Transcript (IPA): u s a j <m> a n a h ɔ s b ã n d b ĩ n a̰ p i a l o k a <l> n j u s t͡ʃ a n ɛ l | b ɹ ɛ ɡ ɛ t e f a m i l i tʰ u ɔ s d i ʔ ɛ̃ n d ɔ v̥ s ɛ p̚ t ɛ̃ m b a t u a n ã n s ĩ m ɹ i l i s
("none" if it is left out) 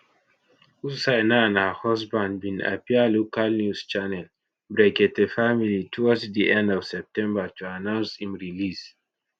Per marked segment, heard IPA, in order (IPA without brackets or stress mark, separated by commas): n, l